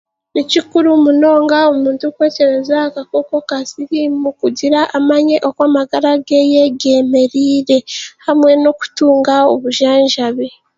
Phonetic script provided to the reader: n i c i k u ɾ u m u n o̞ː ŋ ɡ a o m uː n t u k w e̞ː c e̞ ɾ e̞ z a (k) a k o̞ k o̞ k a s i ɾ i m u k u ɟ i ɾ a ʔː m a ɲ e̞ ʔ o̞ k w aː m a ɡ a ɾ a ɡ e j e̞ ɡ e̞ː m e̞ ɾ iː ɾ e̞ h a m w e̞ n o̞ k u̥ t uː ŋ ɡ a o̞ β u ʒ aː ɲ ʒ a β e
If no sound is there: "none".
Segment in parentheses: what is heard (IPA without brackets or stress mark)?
k